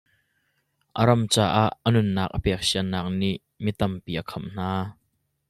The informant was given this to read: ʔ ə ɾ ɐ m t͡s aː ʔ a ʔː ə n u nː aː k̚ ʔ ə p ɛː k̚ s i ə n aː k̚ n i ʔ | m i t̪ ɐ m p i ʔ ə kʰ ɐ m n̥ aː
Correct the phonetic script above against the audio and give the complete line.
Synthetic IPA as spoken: ʔ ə ɾ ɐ m t͡s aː ʔ a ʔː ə n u nː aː k̚ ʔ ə p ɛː k̚ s i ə n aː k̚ n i ʔ | m i t̪ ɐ m p i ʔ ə kʰ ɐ m n̥ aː